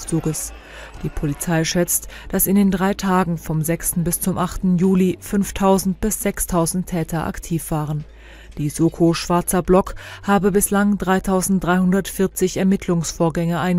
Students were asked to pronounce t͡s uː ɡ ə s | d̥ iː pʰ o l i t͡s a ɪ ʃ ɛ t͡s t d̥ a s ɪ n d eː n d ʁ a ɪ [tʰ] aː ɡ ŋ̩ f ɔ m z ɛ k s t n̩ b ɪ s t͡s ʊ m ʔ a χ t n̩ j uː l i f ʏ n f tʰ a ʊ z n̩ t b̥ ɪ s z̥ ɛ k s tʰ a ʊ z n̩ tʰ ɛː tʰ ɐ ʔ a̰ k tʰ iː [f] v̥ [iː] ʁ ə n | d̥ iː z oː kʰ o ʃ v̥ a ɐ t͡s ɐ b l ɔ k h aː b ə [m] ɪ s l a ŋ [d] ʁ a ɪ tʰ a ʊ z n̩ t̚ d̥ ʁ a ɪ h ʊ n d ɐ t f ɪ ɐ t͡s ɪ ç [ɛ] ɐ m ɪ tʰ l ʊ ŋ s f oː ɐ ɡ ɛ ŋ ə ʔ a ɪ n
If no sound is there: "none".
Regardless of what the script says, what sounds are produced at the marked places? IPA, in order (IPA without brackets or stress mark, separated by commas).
tʰ, f, aː, b, d, ɛ